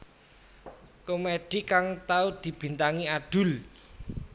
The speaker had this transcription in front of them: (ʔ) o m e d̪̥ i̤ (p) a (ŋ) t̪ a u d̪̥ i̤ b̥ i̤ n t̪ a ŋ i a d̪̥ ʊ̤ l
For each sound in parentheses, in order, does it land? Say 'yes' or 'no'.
no, no, yes

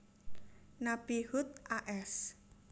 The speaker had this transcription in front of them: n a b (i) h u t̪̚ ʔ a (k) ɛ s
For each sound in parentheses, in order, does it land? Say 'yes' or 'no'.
yes, no

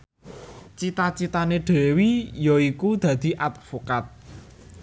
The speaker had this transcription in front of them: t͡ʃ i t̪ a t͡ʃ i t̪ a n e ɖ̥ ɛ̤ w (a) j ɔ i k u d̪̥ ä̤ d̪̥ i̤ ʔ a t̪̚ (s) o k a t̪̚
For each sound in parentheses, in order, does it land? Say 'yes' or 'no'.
no, no

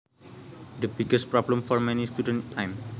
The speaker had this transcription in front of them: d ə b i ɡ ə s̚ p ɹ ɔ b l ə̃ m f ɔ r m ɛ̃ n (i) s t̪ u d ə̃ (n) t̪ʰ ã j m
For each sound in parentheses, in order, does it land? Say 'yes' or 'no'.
yes, yes

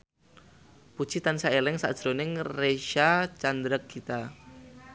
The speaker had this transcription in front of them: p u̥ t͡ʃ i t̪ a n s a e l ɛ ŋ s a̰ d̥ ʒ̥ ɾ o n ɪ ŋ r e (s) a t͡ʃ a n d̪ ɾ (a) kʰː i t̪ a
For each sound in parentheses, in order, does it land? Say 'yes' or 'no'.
no, no

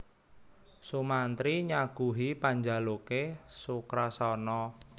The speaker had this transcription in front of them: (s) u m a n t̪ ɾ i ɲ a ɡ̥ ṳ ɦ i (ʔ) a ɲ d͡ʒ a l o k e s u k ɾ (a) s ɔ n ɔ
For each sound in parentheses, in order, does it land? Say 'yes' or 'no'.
yes, no, yes

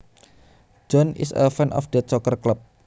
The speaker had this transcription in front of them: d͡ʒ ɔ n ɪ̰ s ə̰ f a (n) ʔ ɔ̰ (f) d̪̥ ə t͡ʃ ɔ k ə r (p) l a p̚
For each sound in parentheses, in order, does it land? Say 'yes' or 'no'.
yes, yes, no

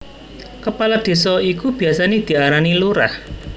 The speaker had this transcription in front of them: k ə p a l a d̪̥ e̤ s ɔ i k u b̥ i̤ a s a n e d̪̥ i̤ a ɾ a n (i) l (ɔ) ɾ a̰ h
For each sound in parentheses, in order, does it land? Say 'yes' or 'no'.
yes, no

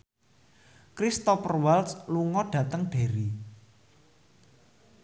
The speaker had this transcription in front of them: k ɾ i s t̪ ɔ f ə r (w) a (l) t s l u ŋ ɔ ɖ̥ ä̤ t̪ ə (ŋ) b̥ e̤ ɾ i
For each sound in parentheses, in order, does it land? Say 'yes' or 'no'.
yes, yes, yes

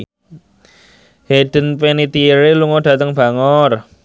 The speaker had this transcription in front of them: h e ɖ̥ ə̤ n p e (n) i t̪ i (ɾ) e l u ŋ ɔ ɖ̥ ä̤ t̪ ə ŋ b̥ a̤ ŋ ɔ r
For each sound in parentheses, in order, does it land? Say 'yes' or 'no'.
yes, yes

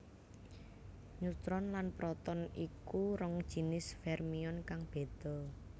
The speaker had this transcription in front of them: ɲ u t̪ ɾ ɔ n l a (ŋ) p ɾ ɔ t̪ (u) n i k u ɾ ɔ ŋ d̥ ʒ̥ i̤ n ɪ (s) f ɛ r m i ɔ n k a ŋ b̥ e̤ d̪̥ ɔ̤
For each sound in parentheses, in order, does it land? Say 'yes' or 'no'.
no, no, yes

